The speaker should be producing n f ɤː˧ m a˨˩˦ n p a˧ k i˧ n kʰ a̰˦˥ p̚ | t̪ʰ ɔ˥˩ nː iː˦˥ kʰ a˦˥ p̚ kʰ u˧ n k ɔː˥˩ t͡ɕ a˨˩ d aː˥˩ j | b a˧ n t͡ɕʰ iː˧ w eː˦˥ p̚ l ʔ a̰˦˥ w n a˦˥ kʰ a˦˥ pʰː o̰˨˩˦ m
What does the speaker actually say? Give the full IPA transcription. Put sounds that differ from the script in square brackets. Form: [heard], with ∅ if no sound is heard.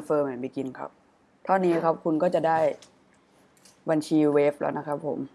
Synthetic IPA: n f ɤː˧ m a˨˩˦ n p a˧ k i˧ n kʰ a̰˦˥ p̚ | t̪ʰ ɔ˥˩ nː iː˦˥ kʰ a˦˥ p̚ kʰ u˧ n k ɔː˥˩ t͡ɕ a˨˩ d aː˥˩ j | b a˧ n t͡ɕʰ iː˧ w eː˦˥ p̚ l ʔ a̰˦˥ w n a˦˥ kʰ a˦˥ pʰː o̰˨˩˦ m

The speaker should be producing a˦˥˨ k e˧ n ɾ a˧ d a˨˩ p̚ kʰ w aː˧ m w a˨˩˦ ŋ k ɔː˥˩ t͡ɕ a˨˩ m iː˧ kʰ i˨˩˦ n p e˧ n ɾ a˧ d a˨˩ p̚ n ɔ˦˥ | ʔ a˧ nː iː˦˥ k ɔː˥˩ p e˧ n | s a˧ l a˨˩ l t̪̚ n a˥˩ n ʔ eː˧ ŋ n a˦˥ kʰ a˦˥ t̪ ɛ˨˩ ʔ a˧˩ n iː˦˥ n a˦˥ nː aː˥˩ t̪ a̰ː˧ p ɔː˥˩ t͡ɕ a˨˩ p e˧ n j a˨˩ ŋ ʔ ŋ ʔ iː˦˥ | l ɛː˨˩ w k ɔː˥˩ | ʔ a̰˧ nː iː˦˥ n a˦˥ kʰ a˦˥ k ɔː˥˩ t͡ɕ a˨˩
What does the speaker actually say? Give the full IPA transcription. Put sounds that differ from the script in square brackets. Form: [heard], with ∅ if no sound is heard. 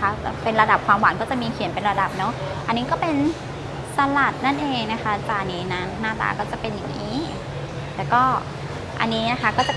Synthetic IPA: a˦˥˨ [p] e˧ n ɾ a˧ d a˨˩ p̚ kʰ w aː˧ m w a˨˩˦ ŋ k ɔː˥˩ t͡ɕ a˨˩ m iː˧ kʰ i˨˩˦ n p e˧ n ɾ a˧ d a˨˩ p̚ n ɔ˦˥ | ʔ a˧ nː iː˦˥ k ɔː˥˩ p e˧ n | s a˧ l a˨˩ [∅] t̪̚ n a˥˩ n ʔ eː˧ ŋ n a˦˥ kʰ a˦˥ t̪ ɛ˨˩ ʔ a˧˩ n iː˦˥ n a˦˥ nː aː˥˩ t̪ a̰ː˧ [k] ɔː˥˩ t͡ɕ a˨˩ p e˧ n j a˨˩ ŋ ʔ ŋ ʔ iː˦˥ | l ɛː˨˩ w k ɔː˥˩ | ʔ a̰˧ nː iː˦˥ n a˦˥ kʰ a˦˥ k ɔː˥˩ t͡ɕ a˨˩

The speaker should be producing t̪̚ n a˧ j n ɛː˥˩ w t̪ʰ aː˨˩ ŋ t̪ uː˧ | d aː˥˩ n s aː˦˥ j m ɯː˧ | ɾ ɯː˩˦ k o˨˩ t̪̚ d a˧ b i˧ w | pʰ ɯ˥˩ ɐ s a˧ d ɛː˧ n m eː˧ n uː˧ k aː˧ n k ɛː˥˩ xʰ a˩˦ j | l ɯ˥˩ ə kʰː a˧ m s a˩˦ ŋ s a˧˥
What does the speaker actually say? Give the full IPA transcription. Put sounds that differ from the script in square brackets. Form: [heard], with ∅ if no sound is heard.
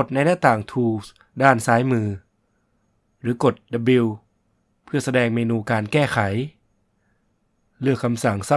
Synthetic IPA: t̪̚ n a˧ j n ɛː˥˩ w [t̪] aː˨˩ ŋ [t̪ʰ] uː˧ | d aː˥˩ n s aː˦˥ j m ɯː˧ | ɾ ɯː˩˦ k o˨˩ t̪̚ d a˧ b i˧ w | pʰ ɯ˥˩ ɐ s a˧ d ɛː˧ [ŋ] m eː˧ n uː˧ k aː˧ n k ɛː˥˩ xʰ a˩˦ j | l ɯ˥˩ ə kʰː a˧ m s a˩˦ ŋ s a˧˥

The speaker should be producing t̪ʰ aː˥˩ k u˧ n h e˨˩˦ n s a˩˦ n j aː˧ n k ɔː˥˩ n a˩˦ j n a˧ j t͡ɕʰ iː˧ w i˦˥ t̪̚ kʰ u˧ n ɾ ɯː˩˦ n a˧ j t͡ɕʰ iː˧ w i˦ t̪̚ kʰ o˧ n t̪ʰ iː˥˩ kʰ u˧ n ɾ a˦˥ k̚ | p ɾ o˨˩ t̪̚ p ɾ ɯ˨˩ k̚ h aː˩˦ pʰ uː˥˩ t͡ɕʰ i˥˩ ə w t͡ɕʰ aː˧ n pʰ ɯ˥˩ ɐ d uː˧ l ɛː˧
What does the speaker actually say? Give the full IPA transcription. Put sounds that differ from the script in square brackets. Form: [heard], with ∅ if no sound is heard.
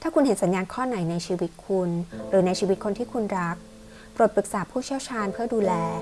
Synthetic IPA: t̪ʰ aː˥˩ k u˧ n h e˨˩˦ n s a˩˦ n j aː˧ n [kʰ] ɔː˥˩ n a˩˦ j n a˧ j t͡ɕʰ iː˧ w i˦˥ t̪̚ kʰ u˧ n ɾ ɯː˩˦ n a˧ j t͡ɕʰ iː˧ w i˦ t̪̚ kʰ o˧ n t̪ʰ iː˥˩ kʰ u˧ n ɾ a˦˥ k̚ | p ɾ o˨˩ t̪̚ p ɾ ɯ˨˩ k̚ [s] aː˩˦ pʰ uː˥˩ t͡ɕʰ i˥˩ ə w t͡ɕʰ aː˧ n pʰ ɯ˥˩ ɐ d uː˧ l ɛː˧

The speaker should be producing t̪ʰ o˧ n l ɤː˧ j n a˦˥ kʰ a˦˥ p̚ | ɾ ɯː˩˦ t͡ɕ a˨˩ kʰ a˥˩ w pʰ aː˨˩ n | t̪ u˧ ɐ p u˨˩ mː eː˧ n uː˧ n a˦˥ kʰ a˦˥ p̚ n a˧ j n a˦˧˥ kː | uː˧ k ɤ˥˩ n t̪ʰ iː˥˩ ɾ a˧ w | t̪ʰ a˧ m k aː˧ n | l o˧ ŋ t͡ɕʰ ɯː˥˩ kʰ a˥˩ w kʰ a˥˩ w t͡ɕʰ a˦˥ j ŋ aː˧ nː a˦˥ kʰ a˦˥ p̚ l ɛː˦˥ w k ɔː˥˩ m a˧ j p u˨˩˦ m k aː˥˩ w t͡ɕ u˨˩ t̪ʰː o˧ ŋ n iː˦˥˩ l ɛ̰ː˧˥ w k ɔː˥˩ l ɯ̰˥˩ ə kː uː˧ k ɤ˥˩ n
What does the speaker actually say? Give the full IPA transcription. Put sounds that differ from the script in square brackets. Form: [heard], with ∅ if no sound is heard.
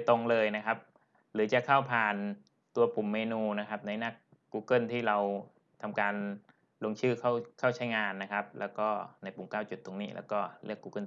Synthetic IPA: [t̪] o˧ [ŋ] l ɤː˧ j n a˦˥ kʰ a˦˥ p̚ | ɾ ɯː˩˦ t͡ɕ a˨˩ kʰ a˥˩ w pʰ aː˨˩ n | t̪ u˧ ɐ p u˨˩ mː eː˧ n uː˧ n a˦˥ kʰ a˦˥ p̚ n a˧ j n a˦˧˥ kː | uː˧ k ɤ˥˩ n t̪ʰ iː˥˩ ɾ a˧ w | t̪ʰ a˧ m k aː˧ n | l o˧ ŋ t͡ɕʰ ɯː˥˩ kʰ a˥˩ w kʰ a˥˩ w t͡ɕʰ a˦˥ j ŋ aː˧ nː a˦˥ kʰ a˦˥ p̚ l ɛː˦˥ w k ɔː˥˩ [n] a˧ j p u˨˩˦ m k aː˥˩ w t͡ɕ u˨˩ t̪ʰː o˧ ŋ n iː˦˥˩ l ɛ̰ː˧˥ w k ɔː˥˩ l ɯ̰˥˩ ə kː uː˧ k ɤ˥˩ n

